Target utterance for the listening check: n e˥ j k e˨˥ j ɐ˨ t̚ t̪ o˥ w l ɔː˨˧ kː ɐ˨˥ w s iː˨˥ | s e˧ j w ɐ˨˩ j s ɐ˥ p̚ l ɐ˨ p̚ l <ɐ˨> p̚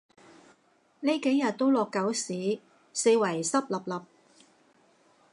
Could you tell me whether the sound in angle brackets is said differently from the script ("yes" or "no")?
no